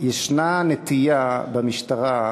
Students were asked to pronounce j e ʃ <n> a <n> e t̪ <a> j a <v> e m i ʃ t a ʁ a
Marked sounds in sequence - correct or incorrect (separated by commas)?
correct, correct, incorrect, incorrect